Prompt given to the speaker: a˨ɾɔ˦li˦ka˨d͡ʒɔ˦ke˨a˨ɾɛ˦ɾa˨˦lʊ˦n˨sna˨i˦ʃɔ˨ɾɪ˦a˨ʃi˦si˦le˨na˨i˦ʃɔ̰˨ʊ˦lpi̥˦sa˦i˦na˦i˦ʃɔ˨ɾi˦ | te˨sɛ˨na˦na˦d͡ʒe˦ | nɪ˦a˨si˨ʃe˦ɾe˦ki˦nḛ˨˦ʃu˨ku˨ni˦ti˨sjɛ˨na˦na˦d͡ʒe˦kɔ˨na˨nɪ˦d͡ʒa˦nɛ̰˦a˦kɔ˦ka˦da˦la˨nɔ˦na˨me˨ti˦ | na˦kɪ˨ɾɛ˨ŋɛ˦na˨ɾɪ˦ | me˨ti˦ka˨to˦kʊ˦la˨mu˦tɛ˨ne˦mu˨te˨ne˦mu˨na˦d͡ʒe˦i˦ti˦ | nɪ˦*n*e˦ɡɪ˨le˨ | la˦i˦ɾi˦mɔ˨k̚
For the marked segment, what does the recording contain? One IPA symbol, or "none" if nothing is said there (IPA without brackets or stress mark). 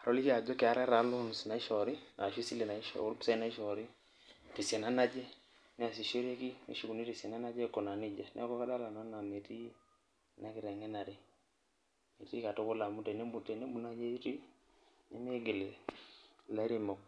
m